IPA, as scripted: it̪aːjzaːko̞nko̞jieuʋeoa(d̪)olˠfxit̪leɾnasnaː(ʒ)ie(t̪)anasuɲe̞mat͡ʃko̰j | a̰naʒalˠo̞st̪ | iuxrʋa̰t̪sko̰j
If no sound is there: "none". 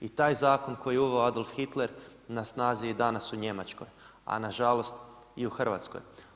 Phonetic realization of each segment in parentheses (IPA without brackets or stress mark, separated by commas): d̪, z, d̪